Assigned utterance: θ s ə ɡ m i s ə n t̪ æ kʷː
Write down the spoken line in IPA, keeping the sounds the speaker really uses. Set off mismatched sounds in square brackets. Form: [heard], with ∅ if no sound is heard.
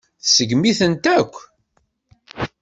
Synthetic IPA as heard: θ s ə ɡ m i [θ] ə n t̪ æ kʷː

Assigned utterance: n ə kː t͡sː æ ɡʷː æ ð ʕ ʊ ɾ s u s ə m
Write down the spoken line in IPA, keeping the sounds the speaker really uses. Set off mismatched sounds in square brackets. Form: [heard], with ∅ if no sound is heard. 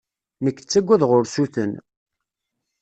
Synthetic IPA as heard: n ə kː t͡sː æ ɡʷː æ ð [ʁ] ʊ ɾ s u [θ] ə [n]

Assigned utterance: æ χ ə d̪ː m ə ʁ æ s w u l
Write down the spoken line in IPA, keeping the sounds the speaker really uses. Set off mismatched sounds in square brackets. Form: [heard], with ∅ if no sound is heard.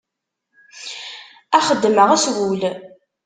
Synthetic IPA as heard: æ χ ə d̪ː m ə ʁ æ s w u l

